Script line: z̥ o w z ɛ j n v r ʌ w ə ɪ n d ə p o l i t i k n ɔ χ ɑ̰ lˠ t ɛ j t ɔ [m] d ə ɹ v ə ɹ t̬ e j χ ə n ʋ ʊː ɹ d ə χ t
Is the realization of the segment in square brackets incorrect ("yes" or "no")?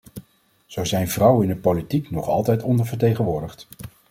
yes